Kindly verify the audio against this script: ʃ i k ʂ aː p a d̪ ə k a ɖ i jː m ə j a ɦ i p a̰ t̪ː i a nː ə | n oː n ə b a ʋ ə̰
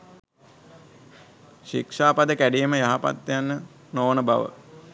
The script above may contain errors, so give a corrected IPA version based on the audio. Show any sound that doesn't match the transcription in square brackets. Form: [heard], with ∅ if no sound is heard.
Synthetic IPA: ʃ i k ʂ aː p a d̪ ə k [æ] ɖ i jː m ə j a ɦ [a] p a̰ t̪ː [j] a nː ə | n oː n ə b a ʋ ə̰